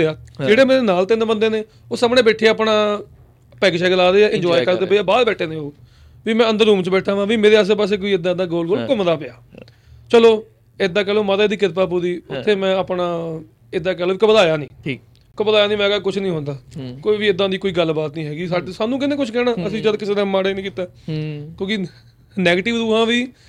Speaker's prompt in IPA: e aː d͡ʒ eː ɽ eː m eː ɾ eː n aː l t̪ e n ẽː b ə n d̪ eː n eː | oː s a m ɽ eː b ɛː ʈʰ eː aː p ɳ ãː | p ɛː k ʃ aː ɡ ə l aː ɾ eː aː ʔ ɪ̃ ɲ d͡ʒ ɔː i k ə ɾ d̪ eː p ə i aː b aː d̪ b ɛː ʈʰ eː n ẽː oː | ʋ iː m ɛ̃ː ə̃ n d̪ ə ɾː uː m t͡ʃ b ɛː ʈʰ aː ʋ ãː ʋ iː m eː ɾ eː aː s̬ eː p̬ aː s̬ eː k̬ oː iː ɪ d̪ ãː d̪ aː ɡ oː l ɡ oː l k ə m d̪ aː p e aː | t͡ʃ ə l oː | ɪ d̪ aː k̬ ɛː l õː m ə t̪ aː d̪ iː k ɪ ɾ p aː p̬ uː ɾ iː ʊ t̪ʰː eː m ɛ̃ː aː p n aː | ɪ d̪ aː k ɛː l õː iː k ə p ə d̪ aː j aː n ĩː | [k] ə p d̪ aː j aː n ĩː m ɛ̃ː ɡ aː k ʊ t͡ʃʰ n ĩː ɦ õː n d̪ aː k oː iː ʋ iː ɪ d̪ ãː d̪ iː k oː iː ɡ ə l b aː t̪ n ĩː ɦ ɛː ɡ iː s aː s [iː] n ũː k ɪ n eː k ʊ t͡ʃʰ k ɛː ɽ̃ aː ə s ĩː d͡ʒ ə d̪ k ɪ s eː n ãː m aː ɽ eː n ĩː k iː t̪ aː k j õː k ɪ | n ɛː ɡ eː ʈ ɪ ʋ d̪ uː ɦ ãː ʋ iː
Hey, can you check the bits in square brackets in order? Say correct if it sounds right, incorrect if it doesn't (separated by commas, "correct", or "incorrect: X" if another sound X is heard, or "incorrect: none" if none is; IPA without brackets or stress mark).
correct, incorrect: aː